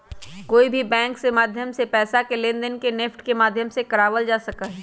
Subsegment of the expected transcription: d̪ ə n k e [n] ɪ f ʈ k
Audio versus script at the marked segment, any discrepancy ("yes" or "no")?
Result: no